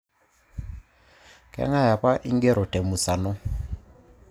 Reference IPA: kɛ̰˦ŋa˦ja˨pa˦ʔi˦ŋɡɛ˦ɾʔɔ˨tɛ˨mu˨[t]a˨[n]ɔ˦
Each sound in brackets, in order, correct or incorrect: incorrect, correct

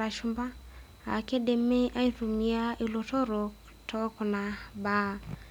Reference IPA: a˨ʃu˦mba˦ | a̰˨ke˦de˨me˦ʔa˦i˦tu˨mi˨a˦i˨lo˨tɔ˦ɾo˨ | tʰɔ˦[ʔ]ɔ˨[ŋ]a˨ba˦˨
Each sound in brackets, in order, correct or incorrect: incorrect, incorrect

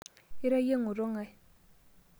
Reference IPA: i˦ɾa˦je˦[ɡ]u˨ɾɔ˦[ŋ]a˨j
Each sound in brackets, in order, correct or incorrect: incorrect, correct

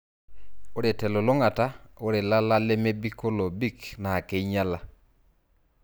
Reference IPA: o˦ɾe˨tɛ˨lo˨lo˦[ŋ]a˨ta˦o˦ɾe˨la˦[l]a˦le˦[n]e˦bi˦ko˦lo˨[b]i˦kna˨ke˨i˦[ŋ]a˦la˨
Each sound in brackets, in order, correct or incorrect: correct, correct, incorrect, correct, incorrect

